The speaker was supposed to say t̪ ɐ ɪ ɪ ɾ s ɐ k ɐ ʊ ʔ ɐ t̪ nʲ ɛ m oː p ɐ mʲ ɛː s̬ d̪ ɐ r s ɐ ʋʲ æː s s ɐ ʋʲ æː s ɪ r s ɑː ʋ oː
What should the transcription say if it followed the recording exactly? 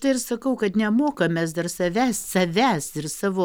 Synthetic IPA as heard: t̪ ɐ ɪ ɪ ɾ s ɐ k ɐ ʊ k ɐ t̪ nʲ ɛ m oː k ɐ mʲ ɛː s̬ d̪ ɐ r s ɐ ʋʲ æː s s ɐ ʋʲ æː s ɪ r s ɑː ʋ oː